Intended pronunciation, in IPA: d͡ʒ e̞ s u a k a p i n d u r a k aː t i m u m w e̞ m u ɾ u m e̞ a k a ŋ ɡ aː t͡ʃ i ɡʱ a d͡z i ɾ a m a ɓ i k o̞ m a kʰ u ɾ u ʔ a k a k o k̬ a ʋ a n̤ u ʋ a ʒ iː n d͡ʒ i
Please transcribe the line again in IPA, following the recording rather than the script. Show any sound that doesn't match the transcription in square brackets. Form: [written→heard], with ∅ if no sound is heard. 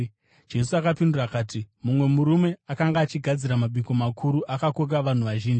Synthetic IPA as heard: d͡ʒ e̞ s u a k a p i n d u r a k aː t i m u m w e̞ m u ɾ u m e̞ a k a ŋ ɡ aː t͡ʃ i ɡʱ a d͡z i ɾ a m a ɓ i k o̞ m a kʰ u ɾ u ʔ a k a k o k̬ a ʋ a n̤ u ʋ a ʒ iː n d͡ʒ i

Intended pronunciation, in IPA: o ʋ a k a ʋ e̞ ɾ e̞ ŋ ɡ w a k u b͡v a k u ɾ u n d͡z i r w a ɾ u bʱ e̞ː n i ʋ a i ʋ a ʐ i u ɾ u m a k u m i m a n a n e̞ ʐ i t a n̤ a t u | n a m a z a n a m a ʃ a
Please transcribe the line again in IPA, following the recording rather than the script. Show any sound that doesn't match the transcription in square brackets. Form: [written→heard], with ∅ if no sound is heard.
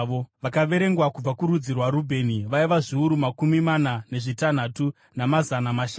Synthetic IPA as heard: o ʋ a k a ʋ e̞ ɾ e̞ ŋ ɡ w a k u b͡v a k u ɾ u [n→∅] d͡z i r w a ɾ u bʱ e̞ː n i ʋ a i ʋ a ʐ i u ɾ u m a k u m i m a n a n e̞ ʐ i t a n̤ a t u | n a m a z a n a m a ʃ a

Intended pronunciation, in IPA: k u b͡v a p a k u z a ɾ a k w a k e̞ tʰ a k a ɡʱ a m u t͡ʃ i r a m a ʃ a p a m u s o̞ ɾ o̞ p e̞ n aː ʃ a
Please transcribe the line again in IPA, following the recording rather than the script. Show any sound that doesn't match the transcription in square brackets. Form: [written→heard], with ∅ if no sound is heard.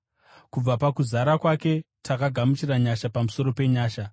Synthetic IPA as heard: k u b͡v a p a k u z a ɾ a k w a k e̞ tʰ a k a ɡʱ a m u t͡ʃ i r a [m→ɲ] a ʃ a p a m u s o̞ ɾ o̞ p e̞ [n→ɲ] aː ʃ a

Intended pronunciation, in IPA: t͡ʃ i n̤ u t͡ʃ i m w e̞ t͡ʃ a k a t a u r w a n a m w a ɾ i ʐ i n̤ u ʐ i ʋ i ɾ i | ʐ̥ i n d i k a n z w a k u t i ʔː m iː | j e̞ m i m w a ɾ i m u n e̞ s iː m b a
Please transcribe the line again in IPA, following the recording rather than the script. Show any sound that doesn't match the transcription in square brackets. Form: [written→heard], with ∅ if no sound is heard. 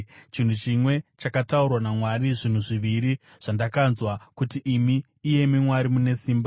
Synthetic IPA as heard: t͡ʃ i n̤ u t͡ʃ i m w e̞ t͡ʃ a k a t a u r w a n a m w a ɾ i ʐ i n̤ u ʐ i ʋ i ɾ i | ʐ̥ [i→a] n d [i→a] k a n z w a k u t i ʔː m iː | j e̞ m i m w a ɾ i m u n e̞ s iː m b a

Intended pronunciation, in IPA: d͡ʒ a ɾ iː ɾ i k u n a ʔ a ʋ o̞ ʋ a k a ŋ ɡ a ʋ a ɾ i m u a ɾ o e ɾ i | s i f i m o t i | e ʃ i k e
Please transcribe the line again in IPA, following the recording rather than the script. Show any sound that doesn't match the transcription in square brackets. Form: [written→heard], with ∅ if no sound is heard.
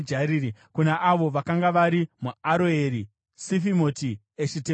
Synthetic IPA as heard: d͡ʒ a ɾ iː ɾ i k u n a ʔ a ʋ o̞ ʋ a k a ŋ ɡ a ʋ a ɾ i m u a ɾ o e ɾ i | s i f i m o t i | e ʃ i [k→t] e

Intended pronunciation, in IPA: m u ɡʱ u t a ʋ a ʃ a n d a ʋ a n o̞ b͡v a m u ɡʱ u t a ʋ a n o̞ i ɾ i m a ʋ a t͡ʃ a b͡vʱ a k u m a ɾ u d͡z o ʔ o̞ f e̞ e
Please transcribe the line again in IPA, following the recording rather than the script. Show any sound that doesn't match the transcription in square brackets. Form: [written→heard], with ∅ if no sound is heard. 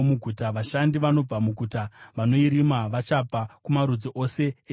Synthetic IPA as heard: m u ɡʱ u t a ʋ a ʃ a n d [a→i] ʋ a n o̞ b͡v a m u ɡʱ u t a ʋ a n o̞ i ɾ i m a ʋ a t͡ʃ a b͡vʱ a k u m a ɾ u d͡z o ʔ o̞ [f→s] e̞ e

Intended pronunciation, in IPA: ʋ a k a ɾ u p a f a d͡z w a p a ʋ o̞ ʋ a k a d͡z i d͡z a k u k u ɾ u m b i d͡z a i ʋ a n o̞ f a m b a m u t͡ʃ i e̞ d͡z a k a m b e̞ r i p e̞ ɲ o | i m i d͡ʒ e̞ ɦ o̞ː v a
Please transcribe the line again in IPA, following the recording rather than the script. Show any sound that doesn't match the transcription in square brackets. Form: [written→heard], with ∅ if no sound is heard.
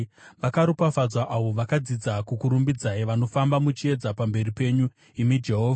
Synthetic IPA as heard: ʋ a k a ɾ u p a f a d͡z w a [p→ʔ] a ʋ o̞ ʋ a k a d͡z i d͡z a k u k u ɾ u m b i d͡z a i ʋ a n o̞ f a m b a m u t͡ʃ i e̞ d͡z a [k→p] a m b e̞ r i p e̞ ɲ [o→u] | i m i d͡ʒ e̞ ɦ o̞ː v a

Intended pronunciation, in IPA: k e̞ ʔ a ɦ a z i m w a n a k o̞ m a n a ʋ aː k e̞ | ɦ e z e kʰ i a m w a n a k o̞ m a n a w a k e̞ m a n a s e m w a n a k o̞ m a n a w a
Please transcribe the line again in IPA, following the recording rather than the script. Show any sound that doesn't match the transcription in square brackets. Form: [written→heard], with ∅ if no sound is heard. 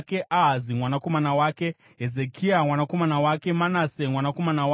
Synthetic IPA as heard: k e̞ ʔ a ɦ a z i m w a n a k o̞ m a n a [ʋ→w] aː k e̞ | ɦ e z e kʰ i a m w a n a k o̞ m a n a w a k e̞ m a n a s e m w a n a k o̞ m a n a w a

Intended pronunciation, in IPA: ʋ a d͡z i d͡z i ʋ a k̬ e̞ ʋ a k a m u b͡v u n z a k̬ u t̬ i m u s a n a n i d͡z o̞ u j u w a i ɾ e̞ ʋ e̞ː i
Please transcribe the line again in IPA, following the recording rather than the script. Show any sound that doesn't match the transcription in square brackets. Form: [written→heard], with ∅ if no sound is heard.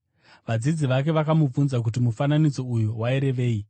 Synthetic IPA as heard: ʋ a d͡z i d͡z i ʋ a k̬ e̞ ʋ a k a m u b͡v u n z a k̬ u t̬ i m u [s→f] a n a n i d͡z o̞ u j u w a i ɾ e̞ ʋ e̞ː i

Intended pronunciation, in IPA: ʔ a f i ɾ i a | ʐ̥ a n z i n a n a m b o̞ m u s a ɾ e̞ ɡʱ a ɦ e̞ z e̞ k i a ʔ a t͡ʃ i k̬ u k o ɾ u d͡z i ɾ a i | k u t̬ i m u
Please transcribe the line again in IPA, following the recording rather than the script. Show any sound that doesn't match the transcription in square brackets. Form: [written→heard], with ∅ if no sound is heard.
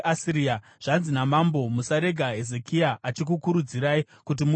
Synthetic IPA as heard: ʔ a [f→s] i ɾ i a | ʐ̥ a n z i n a [n→m] a m b o̞ m u s a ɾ e̞ ɡʱ a ɦ e̞ z e̞ k i a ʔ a t͡ʃ i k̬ u k [o→u] ɾ u d͡z i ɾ a i | k u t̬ i m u

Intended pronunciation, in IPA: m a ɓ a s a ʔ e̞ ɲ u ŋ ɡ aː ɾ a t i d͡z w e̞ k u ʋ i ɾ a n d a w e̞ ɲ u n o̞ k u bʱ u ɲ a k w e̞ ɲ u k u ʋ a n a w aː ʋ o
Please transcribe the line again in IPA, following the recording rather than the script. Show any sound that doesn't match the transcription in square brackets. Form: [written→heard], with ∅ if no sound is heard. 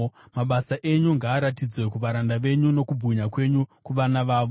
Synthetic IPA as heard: m a ɓ a s a ʔ e̞ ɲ u ŋ ɡ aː ɾ a t i d͡z w e̞ k u ʋ [i→a] ɾ a n d a [w→ʋ] e̞ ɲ u n o̞ k u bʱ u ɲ a k w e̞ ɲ u k u ʋ a n a [w→ʋ] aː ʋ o

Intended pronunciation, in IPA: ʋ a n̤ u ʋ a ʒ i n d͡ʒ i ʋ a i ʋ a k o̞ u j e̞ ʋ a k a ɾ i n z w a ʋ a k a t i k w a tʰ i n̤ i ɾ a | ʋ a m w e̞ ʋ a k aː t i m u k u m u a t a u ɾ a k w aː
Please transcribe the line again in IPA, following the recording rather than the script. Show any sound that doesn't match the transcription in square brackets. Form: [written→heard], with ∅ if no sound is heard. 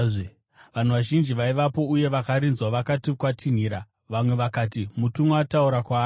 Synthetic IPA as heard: ʋ a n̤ u ʋ a ʒ i n d͡ʒ i ʋ a i ʋ a [k→p] o̞ u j e̞ ʋ a k a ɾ i n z w a ʋ a k a t i k w a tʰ i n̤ i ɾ a | ʋ a m w e̞ ʋ a k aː t i m u [k→t] u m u a t a u ɾ a k w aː

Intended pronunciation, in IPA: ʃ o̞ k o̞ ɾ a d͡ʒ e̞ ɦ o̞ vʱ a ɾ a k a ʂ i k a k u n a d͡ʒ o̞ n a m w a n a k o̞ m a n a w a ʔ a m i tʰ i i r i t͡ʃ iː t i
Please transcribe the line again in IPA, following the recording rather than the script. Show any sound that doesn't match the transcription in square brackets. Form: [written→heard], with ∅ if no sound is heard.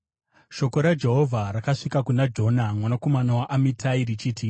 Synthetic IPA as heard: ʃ o̞ k o̞ ɾ a d͡ʒ e̞ ɦ o̞ vʱ a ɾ a k a ʂ i k a k u n a d͡ʒ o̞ n a m w a n a k o̞ m a n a w a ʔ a m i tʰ [i→a] i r i t͡ʃ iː t i

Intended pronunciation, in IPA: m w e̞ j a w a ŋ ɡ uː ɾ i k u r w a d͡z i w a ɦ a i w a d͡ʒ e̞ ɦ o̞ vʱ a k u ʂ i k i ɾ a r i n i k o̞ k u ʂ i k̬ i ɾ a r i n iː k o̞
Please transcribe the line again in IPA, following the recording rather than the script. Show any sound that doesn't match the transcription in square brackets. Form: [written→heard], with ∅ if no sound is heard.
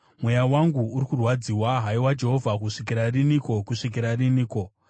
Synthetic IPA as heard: m w e̞ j a w a ŋ ɡ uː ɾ i k u r w a d͡z i w a ɦ a i w a d͡ʒ e̞ ɦ o̞ vʱ a k u ʂ i k i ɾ a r i n i k o̞ k u ʂ i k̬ i ɾ a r i n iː k o̞

